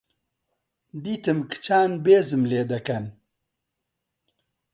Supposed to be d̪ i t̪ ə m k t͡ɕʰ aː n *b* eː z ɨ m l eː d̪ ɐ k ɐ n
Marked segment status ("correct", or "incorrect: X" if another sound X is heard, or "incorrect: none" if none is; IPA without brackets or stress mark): correct